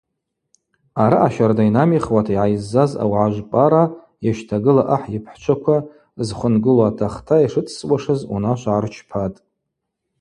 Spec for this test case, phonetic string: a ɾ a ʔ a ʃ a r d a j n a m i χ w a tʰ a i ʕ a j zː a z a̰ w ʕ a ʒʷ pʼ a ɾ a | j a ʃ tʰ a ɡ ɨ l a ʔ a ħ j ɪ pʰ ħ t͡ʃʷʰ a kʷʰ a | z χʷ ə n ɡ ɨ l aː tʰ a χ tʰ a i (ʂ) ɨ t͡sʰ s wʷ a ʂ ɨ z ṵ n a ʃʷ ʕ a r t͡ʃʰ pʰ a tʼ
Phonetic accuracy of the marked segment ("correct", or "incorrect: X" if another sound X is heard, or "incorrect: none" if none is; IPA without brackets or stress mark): correct